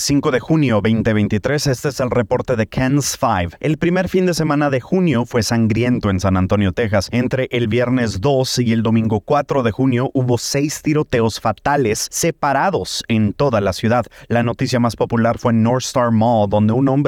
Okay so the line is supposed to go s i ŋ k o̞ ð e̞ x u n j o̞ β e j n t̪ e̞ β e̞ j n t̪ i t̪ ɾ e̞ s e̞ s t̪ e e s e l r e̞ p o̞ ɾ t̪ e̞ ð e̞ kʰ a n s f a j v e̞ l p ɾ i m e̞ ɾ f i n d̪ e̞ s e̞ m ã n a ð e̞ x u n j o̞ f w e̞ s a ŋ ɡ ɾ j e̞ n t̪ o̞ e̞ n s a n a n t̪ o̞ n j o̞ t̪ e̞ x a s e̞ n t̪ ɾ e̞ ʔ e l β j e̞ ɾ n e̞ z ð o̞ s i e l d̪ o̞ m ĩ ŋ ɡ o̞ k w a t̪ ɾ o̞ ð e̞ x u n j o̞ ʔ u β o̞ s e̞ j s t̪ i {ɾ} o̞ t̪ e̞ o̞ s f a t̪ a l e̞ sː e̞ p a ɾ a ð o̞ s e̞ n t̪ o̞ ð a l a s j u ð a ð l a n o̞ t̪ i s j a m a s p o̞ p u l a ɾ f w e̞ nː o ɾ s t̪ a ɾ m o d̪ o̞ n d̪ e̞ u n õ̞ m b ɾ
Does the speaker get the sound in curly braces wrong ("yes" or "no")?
no